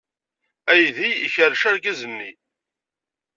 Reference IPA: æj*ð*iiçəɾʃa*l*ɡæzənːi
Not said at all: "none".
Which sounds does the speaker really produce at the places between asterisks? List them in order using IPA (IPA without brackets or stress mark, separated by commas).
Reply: ð, ɾ